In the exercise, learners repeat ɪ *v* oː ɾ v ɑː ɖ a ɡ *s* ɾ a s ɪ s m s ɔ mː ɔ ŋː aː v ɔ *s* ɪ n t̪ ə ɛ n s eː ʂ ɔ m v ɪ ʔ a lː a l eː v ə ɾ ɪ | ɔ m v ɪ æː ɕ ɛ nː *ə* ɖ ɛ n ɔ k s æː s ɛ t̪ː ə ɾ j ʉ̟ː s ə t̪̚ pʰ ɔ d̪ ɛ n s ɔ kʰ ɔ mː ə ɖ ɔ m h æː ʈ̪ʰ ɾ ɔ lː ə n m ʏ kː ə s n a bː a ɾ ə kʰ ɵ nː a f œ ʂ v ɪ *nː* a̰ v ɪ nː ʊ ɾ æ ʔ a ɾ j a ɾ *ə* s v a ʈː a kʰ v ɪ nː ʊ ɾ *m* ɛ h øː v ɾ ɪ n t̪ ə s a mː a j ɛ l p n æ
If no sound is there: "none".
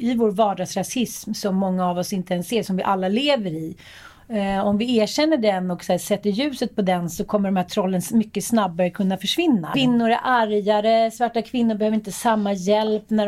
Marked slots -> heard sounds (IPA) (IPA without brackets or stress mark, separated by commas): v, s, s, ə, nː, ə, b